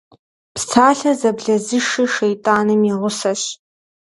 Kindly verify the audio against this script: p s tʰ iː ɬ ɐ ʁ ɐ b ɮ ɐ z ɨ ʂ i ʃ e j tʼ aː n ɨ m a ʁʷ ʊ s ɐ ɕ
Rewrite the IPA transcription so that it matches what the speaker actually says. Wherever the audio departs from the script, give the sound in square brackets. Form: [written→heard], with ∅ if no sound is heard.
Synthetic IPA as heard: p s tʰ [iː→aː] ɬ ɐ [ʁ→z] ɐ b ɮ ɐ z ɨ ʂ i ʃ e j tʼ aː n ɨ m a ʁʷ ʊ s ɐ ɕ